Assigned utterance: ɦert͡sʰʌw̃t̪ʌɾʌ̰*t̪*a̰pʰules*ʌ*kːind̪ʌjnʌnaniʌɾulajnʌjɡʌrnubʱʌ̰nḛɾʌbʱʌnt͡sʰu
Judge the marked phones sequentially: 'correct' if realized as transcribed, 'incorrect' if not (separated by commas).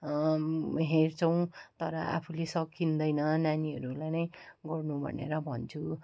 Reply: incorrect, correct